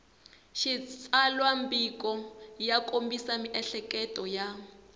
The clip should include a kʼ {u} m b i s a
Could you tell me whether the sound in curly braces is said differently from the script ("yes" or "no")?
yes